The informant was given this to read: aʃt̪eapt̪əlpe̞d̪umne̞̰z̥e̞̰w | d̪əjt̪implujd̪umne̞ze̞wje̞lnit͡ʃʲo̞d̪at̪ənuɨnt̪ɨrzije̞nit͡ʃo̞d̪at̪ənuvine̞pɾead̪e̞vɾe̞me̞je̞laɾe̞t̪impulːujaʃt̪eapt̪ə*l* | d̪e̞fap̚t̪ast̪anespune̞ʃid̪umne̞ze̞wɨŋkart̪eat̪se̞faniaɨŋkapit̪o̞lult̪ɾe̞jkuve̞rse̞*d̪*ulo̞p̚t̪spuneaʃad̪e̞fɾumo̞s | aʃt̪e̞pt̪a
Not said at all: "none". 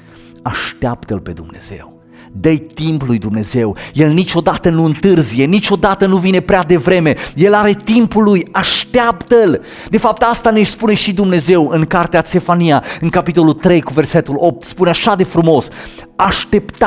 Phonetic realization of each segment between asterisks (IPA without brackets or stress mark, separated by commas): l, t̪